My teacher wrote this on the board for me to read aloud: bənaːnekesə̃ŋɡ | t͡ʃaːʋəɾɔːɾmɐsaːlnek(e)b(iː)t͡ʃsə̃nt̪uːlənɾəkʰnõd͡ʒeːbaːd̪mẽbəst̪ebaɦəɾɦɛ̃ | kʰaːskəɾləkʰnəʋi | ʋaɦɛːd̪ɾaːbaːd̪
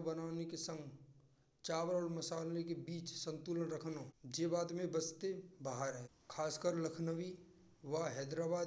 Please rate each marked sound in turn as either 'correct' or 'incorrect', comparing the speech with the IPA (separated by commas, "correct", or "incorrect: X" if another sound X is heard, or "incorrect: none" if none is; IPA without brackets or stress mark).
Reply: correct, correct